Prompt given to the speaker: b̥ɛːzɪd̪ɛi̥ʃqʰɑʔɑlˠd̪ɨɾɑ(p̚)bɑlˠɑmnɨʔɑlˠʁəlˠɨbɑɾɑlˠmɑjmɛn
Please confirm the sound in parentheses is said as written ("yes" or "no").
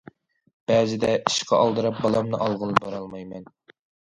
yes